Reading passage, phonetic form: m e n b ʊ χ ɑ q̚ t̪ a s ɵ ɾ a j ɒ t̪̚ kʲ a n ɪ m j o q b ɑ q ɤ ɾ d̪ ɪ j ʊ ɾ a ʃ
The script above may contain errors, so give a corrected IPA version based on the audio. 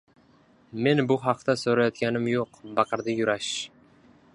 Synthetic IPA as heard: m e n b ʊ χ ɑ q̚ t̪ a s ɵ ɾ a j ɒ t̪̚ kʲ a n ɪ m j o q b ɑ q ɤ ɾ d̪ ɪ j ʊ ɾ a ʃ